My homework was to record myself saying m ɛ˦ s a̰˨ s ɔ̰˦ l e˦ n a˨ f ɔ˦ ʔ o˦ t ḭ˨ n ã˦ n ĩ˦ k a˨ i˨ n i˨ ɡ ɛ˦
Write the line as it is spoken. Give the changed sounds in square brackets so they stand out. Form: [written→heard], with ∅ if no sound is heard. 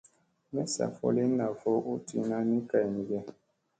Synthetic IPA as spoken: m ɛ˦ s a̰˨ [s→f] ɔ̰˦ l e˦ n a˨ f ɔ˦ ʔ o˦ t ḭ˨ n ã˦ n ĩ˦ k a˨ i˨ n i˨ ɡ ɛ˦